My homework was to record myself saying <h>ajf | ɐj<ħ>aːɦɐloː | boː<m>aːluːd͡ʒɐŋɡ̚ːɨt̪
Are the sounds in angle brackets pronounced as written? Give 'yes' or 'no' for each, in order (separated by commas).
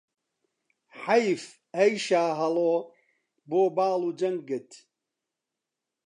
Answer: no, no, no